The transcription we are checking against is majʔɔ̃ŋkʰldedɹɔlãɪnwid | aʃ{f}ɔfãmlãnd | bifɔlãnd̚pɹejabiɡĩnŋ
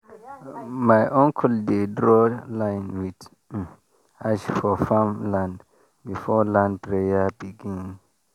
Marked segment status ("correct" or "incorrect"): correct